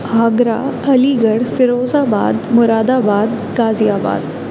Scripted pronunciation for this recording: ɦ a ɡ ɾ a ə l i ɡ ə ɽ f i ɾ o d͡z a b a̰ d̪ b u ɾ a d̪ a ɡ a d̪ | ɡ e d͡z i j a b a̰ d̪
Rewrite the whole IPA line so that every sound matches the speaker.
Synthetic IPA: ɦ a ɡ ɾ a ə l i ɡ ə ɽ f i ɾ o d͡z a b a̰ d̪ m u ɾ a d̪ a b a d̪ | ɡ a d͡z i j a b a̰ d̪